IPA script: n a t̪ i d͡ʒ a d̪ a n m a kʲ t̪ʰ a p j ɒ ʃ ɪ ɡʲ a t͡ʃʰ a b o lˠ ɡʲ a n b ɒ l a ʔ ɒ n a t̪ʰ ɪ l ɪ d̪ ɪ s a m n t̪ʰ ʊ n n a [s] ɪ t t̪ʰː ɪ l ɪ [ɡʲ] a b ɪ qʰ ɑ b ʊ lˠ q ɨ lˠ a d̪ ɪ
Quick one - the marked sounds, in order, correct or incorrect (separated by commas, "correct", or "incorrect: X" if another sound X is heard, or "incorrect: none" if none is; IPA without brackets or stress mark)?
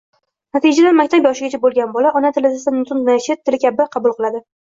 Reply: incorrect: ʃ, incorrect: kʲ